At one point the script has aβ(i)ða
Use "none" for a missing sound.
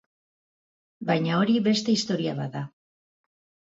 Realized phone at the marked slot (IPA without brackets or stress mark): a